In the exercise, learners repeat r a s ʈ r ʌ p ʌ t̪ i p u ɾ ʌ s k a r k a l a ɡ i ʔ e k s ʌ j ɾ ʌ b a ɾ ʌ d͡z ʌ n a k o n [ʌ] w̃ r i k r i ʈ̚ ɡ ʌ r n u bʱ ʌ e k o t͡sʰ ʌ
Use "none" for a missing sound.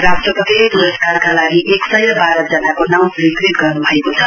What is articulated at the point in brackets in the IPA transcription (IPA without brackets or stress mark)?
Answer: a